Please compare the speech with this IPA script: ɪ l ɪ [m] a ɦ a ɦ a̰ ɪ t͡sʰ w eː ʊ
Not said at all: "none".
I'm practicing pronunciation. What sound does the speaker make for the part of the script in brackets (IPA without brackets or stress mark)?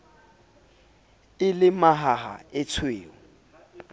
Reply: m